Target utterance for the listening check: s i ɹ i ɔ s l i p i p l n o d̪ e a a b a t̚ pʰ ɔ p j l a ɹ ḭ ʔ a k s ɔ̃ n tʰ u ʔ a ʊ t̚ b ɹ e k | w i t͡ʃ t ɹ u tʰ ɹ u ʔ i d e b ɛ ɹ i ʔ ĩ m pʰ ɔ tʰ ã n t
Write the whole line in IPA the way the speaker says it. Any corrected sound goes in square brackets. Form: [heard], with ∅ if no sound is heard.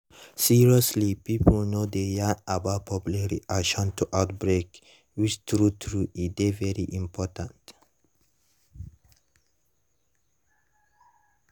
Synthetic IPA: s i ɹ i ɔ s l i p i p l n o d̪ e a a b a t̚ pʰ ɔ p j l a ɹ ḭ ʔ a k [ʃ] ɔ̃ n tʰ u ʔ a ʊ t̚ b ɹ e k | w i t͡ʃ t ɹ u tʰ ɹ u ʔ i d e [v] ɛ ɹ i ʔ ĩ m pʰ ɔ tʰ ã n t